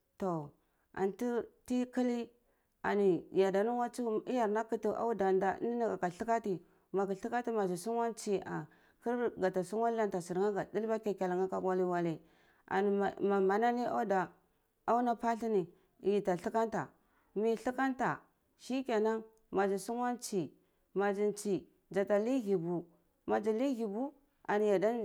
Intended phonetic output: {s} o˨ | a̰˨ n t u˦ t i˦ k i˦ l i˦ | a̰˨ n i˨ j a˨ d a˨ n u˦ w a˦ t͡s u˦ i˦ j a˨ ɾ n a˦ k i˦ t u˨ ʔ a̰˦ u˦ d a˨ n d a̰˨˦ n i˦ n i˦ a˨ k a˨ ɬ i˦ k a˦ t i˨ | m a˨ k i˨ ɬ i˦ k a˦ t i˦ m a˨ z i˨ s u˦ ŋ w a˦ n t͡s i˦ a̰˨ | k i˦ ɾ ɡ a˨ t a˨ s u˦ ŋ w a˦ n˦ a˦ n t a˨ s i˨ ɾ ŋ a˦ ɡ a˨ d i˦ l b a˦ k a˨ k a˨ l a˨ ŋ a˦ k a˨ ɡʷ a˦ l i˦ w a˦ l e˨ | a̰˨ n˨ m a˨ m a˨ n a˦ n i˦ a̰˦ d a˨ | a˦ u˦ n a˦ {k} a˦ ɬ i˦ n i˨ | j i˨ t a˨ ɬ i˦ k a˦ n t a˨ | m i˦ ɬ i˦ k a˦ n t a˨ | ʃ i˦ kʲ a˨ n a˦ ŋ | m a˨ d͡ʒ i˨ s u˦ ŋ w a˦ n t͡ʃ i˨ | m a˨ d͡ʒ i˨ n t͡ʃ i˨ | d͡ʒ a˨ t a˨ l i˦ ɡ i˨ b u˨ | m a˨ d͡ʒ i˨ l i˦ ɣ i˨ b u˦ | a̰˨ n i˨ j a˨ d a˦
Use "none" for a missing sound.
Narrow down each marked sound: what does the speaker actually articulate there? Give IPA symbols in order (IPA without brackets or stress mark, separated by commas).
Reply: t, p